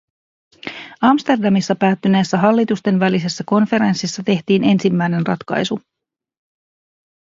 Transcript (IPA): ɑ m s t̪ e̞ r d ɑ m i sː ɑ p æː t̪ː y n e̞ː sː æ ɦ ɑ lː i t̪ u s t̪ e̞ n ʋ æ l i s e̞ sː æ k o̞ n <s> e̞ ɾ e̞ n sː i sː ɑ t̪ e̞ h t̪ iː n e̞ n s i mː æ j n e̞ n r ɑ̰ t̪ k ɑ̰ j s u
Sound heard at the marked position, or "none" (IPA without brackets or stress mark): f